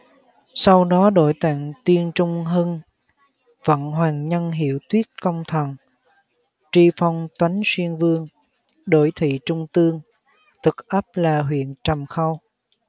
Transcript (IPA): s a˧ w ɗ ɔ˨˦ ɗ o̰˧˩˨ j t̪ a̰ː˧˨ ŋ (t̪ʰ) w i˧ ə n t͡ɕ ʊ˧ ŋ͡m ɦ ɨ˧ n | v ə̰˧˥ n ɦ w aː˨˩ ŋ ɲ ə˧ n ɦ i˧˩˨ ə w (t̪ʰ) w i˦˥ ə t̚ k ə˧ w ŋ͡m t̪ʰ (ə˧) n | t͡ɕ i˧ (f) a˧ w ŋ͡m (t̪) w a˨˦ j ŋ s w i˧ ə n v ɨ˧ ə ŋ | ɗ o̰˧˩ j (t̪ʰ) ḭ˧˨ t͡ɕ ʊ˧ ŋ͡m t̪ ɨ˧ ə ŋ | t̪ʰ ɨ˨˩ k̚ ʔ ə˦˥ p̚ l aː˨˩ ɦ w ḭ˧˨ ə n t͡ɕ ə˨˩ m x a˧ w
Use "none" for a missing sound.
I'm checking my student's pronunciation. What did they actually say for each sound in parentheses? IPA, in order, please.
t̪, t̪, ə˨˩, f, t̪, t̪ʰ

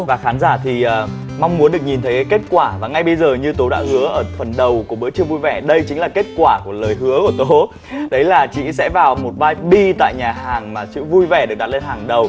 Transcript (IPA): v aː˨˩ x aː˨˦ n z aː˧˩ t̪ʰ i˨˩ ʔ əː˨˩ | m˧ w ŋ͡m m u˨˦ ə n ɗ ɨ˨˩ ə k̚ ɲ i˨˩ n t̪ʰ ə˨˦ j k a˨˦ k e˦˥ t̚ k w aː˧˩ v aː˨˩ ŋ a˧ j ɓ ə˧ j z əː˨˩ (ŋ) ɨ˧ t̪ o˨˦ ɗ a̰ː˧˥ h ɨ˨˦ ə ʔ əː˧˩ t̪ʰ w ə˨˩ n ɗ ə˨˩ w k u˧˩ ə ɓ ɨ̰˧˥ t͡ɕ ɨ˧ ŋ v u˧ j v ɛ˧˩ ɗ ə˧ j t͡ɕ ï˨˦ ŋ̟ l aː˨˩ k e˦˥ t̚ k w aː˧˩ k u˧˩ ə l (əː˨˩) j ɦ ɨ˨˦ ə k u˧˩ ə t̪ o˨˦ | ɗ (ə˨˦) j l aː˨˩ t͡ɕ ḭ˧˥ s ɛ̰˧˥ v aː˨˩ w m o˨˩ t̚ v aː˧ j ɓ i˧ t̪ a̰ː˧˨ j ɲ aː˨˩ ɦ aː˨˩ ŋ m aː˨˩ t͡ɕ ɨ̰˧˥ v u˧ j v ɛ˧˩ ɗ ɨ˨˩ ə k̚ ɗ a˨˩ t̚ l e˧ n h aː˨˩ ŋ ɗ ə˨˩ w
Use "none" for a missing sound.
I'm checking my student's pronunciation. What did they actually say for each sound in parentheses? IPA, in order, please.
ɲ, əː˨˩, ə˨˦

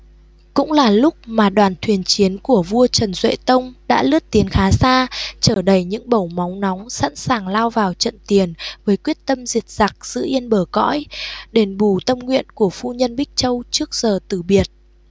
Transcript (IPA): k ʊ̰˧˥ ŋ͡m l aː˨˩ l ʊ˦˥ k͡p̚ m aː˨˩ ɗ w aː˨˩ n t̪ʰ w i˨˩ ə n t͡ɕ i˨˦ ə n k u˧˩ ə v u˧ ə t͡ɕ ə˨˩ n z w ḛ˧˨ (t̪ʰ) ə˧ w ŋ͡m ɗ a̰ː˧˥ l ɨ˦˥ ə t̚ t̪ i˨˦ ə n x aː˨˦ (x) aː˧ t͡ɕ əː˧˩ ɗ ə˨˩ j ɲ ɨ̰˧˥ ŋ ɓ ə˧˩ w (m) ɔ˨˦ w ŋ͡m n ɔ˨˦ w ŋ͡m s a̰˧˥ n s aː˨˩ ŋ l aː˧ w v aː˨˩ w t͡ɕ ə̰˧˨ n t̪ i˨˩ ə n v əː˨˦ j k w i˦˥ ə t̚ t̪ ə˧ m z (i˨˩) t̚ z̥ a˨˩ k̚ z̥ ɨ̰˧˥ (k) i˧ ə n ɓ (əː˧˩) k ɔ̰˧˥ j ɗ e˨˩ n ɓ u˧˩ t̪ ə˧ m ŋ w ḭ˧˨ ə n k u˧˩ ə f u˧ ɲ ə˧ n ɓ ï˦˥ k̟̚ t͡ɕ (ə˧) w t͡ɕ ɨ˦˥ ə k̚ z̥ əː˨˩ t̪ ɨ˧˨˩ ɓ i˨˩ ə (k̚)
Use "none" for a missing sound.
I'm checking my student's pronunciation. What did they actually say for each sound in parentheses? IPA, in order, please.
t̪, s, m, i˨˩, ʔ, əː˧˩, ə˧, t̚

